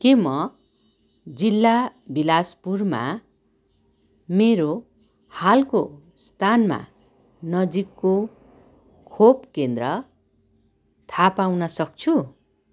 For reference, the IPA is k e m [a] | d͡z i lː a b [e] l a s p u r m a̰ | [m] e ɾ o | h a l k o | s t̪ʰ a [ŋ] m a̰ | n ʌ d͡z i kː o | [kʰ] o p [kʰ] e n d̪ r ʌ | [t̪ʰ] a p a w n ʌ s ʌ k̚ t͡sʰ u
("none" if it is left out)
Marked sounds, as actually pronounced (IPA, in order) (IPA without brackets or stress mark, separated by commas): ʌ, i, m, n, kʰ, k, t̪ʰ